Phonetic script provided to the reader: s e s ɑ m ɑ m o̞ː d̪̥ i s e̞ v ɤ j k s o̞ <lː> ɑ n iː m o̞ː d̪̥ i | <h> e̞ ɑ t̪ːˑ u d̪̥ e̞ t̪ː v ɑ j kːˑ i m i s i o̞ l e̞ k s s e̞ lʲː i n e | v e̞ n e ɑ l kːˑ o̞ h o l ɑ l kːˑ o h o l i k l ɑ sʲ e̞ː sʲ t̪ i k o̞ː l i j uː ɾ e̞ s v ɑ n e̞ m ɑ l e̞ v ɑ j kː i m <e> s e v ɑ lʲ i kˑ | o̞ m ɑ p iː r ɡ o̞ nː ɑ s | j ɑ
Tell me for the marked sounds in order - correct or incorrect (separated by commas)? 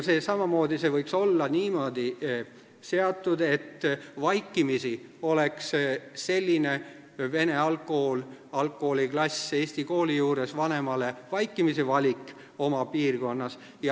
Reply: correct, incorrect, incorrect